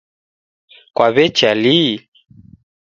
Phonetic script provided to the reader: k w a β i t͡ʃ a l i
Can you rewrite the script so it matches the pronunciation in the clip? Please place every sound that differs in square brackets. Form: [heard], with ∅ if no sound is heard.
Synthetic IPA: k w a β [ɛ] t͡ʃ a l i